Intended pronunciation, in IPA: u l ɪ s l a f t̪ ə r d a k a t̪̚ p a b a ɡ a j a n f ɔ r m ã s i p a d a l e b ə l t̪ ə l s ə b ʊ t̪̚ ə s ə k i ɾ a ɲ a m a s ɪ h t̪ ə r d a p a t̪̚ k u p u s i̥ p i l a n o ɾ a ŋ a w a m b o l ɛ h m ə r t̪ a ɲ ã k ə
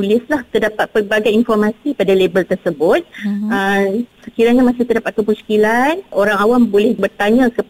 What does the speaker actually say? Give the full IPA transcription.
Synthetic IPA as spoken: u l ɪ s l a h t̪ ə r d a p a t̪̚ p ə b a ɡ a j i n f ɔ r m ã s i p a d a l e b ə l t̪ ə r s ə b ʊ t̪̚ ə s ə k i ɾ a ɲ a m a s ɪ h t̪ ə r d a p a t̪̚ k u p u s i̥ k i l a n o ɾ a ŋ a w a m b o l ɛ h b ə r t̪ a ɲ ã k ə